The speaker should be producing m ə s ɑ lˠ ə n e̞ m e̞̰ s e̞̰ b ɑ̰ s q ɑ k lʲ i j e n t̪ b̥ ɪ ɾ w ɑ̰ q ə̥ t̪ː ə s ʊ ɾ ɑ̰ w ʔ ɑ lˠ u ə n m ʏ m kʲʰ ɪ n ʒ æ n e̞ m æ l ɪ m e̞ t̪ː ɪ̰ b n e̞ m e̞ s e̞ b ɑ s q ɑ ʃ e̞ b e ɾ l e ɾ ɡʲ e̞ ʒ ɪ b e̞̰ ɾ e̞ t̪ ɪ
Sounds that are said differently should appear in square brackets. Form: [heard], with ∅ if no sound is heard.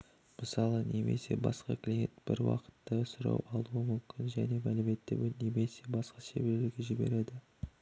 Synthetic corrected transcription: m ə s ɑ lˠ ə n e̞ m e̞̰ s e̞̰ b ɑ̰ s q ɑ k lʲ i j e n t̪ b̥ ɪ ɾ w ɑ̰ q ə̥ t̪ː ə s ʊ ɾ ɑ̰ w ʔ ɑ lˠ u ə [∅] m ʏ m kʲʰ ɪ n ʒ æ n e̞ m æ l ɪ m e̞ t̪ː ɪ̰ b n e̞ m e̞ s e̞ b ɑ s q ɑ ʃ e̞ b e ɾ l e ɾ ɡʲ e̞ ʒ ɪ b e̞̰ ɾ e̞ [d̪] ɪ